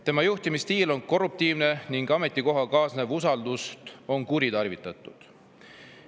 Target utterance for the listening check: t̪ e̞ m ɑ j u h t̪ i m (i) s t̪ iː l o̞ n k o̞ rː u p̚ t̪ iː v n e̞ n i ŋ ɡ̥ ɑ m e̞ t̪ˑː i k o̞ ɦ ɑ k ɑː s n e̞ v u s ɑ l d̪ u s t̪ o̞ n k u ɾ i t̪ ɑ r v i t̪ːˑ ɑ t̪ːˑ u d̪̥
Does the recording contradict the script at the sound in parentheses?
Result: no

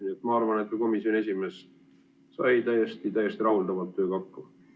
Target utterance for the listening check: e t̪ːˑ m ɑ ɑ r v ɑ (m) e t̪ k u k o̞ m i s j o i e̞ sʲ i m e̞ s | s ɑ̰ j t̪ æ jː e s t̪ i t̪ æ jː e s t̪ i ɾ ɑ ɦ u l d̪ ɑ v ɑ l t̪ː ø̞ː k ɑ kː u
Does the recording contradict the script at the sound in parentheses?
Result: yes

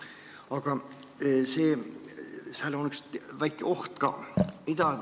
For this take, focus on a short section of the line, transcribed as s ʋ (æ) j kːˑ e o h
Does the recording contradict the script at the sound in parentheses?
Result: no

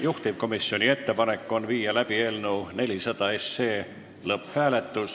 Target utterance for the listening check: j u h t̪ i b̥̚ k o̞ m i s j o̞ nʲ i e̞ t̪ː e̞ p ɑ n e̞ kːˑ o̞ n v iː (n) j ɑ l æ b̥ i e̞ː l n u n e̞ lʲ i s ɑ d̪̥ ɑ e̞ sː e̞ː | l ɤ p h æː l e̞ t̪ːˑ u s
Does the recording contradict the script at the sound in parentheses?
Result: yes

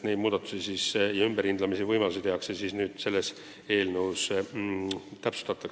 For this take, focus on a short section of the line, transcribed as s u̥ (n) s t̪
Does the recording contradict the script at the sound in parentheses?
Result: yes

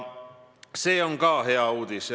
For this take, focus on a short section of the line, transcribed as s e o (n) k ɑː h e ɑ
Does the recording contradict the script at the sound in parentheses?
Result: yes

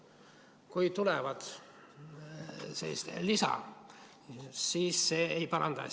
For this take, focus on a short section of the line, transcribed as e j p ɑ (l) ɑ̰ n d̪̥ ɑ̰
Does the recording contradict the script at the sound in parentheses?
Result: yes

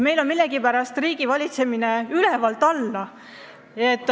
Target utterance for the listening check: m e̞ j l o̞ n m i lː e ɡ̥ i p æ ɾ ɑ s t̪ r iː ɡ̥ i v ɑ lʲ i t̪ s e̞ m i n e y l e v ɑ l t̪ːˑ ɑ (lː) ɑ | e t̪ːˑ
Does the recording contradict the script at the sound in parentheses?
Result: no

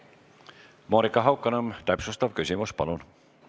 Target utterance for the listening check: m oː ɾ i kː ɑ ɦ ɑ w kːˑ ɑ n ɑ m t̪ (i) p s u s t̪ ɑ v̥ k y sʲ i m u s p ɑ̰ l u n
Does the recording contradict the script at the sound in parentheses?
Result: yes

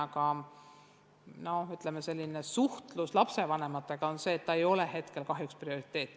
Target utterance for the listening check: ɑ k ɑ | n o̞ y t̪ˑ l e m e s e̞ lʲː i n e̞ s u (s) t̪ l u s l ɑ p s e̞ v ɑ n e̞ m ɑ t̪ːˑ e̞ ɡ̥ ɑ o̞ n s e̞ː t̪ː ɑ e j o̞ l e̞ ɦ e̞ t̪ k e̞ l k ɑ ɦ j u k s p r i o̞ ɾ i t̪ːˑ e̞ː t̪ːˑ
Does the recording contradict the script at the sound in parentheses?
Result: yes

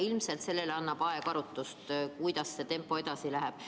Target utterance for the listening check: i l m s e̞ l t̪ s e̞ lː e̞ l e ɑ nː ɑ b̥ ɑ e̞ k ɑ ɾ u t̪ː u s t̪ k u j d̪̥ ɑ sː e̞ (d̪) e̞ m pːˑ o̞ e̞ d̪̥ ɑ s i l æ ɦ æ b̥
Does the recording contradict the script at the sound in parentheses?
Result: yes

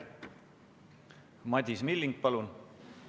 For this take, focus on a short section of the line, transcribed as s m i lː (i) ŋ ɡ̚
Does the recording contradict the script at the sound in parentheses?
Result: no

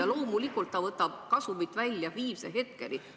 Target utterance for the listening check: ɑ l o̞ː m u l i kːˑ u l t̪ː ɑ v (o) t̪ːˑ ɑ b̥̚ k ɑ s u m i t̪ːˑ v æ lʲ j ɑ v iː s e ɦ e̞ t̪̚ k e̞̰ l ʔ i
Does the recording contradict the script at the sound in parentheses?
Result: yes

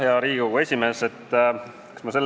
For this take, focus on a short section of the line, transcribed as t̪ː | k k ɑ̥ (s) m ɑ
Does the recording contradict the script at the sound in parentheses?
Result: no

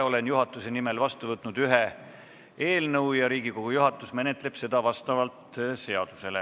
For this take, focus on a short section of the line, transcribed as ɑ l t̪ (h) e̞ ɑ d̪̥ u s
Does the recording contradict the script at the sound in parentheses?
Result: yes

